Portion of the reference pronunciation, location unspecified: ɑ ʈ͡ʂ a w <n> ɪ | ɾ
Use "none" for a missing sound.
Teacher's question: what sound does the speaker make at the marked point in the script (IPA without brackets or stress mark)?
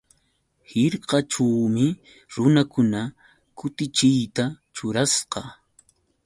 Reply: m